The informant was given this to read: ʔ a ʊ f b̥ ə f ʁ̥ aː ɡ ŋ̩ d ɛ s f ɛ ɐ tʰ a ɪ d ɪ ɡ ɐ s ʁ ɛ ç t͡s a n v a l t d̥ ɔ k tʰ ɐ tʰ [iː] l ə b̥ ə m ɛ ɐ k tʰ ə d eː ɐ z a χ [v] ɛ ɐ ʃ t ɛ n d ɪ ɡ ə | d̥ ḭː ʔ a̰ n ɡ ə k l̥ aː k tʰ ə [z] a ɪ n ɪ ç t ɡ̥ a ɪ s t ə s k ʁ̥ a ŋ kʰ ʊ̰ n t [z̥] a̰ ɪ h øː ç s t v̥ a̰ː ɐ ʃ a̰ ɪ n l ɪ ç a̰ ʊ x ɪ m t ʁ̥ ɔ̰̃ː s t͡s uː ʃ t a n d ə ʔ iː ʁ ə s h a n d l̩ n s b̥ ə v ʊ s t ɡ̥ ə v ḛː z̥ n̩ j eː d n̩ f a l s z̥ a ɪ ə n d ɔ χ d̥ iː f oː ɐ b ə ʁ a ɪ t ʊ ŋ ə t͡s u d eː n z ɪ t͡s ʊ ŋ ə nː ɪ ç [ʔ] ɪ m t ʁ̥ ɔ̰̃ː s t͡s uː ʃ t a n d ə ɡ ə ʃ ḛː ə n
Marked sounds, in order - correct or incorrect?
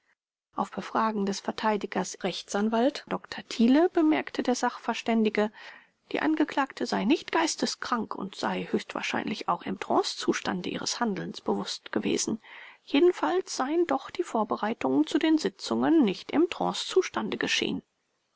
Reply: correct, incorrect: f, correct, correct, incorrect: t

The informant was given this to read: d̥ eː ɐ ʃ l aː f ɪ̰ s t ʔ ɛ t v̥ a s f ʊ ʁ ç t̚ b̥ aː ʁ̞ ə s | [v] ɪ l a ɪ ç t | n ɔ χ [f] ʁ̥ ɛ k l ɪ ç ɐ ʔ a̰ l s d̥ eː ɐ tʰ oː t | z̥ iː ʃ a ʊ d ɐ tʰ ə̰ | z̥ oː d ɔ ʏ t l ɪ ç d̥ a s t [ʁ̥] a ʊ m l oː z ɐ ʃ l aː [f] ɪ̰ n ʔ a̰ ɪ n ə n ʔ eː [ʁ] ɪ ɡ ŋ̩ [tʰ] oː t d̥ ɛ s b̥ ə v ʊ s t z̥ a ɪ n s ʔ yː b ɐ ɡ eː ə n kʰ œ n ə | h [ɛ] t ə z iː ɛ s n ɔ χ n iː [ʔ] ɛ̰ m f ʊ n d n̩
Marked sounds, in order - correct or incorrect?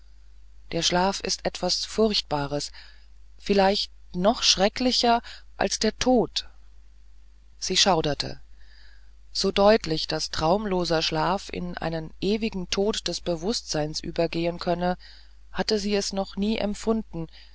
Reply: incorrect: f, incorrect: ʃ, correct, correct, incorrect: v, correct, incorrect: a, correct

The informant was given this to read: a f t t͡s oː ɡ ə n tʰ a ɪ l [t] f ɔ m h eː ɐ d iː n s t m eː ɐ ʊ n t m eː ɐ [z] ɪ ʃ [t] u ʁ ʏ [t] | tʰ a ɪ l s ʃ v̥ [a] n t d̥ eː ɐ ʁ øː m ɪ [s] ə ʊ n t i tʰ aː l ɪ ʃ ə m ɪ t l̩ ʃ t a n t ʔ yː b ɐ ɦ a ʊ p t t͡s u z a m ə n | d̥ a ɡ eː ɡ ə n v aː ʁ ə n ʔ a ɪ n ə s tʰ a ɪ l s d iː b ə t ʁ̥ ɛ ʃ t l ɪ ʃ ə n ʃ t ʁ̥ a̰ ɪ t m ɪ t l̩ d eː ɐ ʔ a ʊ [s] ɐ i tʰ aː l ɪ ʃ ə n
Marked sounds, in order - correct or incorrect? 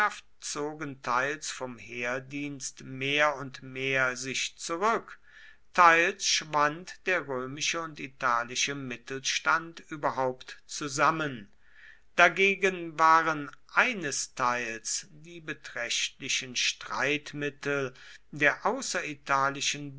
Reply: incorrect: s, correct, incorrect: t͡s, incorrect: k, correct, incorrect: ʃ, correct

